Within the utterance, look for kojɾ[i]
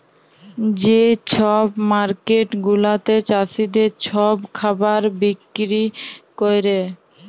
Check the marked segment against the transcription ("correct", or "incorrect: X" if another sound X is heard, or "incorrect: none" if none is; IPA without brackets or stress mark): incorrect: e